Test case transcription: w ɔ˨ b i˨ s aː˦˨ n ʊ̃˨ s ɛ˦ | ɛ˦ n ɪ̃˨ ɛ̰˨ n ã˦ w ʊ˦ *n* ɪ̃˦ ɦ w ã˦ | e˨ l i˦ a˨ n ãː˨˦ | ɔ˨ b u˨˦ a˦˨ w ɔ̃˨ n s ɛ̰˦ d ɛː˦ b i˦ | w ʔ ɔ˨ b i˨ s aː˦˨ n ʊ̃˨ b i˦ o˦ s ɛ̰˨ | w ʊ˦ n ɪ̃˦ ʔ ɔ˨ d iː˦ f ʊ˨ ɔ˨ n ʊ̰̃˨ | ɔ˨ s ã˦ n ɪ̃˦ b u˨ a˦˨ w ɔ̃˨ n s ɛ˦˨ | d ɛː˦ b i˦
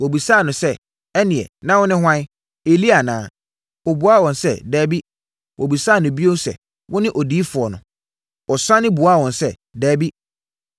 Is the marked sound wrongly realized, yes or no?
no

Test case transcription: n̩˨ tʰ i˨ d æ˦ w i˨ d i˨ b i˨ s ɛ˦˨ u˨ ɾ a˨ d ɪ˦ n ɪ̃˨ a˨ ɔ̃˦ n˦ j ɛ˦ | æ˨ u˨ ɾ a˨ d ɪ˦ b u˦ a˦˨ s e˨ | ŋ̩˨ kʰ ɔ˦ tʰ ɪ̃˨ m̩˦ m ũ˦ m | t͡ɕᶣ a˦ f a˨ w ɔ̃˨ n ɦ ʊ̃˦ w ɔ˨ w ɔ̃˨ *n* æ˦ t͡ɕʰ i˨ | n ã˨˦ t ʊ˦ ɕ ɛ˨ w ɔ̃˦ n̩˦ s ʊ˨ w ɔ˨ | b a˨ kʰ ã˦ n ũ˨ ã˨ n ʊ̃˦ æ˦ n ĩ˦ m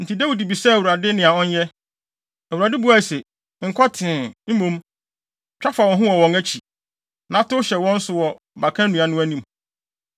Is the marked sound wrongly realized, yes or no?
yes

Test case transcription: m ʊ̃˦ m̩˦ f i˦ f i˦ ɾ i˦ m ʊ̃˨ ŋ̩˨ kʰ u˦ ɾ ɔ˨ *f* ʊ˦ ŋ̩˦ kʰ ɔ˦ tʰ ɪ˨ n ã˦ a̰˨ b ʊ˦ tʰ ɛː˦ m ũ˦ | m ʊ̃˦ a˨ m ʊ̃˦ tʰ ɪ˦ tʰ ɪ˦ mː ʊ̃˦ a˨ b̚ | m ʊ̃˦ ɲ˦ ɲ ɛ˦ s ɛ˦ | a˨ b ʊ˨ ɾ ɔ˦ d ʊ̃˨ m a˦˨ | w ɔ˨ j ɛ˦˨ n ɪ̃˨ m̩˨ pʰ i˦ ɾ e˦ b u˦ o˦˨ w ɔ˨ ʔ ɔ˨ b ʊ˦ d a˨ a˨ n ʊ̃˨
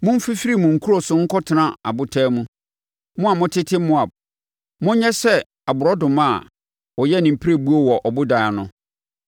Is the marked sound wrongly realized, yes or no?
yes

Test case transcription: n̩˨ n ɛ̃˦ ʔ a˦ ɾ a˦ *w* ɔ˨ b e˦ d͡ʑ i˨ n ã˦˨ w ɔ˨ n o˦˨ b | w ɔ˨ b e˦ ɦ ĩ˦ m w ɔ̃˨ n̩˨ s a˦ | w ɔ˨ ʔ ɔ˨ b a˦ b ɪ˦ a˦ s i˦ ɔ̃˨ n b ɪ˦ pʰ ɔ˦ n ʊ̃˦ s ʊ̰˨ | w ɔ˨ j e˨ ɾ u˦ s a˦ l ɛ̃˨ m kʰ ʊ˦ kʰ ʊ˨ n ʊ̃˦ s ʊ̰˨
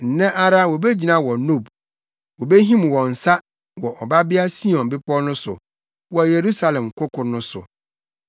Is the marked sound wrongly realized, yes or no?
no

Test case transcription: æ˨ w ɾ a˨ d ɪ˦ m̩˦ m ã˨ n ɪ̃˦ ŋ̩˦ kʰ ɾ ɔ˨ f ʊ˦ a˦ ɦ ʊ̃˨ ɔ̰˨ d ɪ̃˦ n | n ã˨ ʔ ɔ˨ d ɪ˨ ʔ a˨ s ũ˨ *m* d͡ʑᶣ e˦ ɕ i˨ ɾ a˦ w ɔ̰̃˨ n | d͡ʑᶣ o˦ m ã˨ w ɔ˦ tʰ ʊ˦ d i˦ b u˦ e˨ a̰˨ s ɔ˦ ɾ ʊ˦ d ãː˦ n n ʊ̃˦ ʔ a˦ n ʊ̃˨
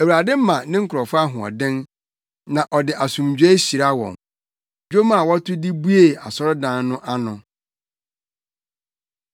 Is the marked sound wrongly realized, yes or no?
no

